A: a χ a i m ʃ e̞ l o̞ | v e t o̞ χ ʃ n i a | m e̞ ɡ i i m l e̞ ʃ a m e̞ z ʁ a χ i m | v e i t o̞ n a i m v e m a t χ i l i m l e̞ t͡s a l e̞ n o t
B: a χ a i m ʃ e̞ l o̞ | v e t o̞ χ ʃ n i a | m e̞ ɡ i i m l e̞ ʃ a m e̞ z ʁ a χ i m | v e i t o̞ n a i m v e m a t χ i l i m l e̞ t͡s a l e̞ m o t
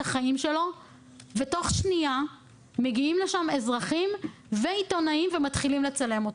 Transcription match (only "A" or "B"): B